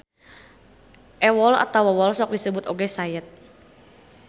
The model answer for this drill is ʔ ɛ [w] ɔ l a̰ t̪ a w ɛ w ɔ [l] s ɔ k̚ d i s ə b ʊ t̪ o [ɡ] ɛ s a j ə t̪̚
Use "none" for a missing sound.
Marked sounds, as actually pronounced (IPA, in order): w, l, ɡ

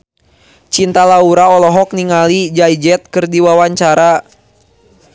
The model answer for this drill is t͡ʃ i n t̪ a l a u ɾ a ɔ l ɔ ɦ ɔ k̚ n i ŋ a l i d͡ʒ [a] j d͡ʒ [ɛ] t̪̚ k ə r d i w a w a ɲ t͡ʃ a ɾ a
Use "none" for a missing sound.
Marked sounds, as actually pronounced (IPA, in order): a, ɛ

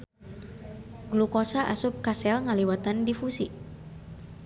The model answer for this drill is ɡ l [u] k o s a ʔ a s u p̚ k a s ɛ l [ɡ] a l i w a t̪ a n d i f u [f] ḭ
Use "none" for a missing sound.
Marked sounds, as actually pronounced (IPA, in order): u, ŋ, s

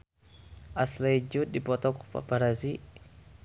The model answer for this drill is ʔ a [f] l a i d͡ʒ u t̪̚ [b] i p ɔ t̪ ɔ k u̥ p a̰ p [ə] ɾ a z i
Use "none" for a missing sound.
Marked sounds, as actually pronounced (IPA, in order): s, d, a

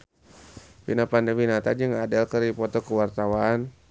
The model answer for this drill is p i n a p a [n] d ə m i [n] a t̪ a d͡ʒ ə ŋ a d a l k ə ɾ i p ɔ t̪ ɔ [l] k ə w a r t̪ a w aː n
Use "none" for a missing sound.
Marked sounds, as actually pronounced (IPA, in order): n, n, none

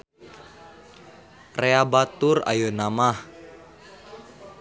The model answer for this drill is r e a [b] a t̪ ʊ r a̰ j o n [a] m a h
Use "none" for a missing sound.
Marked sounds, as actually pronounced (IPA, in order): b, a

